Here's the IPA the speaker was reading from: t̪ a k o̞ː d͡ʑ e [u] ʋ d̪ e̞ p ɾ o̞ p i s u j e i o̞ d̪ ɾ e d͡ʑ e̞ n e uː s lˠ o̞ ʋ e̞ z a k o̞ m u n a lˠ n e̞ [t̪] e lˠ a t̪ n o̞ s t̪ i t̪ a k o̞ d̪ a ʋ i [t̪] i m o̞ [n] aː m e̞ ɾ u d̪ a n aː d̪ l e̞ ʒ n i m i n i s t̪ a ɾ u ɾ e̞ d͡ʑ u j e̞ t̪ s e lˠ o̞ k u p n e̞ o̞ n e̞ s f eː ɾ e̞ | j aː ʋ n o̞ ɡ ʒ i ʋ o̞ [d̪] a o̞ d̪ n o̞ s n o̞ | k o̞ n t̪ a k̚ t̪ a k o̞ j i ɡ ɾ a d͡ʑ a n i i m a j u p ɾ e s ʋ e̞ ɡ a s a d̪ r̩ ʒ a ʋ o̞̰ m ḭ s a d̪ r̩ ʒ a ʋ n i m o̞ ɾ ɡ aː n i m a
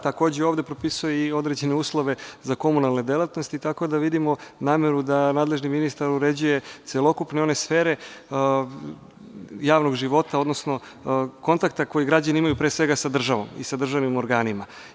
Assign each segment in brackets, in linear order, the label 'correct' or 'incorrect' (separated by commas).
incorrect, incorrect, incorrect, correct, incorrect